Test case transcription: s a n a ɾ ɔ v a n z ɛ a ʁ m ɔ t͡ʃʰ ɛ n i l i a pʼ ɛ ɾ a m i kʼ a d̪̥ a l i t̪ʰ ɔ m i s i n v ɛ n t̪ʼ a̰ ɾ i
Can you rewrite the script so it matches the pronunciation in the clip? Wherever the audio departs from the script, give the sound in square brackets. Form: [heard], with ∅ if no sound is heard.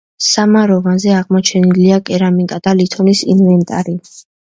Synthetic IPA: s a [m] a ɾ ɔ v a n z ɛ a ʁ m ɔ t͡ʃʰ ɛ n i l i a [kʼ] ɛ ɾ a m i kʼ a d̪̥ a l i t̪ʰ ɔ [n] i s i n v ɛ n t̪ʼ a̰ ɾ i